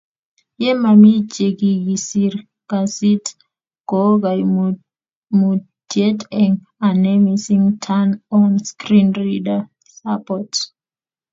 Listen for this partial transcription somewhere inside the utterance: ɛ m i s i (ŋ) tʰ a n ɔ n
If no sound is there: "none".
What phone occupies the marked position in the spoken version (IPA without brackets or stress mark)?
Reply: ŋ